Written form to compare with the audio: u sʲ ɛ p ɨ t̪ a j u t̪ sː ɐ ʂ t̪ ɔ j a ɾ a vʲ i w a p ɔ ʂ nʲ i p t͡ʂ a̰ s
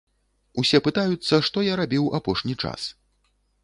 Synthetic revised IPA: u sʲ ɛ p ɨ t̪ a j u t̪ sː ɐ ʂ t̪ ɔ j a ɾ a bʲ i w a p ɔ ʂ nʲ i t͡ʂ a̰ s